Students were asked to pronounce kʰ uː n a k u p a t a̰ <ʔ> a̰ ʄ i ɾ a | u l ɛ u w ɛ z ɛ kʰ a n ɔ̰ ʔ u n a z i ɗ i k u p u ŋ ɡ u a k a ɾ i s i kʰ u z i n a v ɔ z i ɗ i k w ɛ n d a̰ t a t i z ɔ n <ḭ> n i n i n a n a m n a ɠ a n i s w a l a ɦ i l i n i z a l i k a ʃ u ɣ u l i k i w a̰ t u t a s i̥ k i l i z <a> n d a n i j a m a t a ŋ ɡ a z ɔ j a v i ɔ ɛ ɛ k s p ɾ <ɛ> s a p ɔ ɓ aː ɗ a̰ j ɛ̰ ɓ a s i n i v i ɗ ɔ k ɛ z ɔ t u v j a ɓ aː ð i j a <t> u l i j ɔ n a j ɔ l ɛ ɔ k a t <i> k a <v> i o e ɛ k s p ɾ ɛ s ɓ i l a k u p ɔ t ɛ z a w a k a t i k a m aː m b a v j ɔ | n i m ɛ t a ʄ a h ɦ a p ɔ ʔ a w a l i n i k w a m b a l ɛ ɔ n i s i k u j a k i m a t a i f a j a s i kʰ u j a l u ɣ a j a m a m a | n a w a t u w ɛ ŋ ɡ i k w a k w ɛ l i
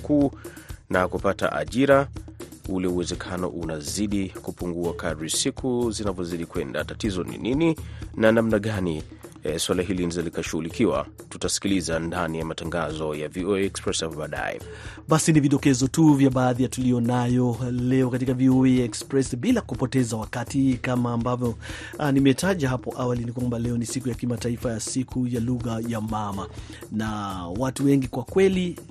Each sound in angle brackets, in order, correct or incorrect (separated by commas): correct, correct, correct, correct, correct, correct, correct